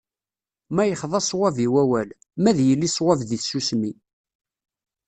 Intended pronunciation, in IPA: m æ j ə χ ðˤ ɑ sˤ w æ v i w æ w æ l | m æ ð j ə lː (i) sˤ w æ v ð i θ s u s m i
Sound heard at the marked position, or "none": i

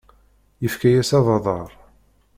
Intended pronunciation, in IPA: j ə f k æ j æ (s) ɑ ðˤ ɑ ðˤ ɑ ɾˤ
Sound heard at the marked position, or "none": s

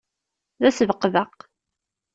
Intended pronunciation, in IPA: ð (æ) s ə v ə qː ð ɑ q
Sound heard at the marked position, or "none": æ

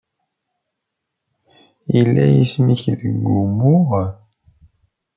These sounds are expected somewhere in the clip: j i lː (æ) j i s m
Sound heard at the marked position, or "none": æ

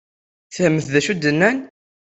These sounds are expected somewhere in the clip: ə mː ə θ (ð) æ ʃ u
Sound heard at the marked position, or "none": ð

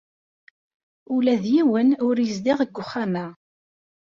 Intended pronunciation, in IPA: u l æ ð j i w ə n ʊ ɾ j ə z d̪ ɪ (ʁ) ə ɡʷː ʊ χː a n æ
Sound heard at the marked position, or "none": ʁ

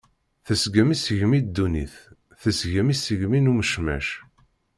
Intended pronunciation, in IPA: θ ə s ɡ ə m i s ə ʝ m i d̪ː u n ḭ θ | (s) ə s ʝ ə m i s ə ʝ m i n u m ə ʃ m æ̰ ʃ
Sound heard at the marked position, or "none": θ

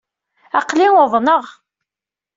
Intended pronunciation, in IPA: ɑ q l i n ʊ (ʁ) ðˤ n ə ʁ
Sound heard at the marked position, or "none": none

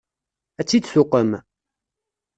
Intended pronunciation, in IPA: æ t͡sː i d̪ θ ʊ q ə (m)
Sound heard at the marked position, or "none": m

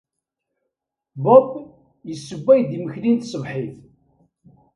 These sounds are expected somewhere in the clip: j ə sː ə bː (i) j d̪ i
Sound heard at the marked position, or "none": æ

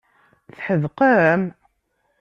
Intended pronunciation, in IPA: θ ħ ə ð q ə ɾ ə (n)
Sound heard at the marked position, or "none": m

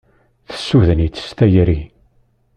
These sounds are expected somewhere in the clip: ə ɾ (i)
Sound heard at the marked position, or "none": i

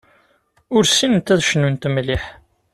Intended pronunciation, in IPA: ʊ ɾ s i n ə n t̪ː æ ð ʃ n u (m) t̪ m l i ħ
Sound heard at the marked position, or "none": n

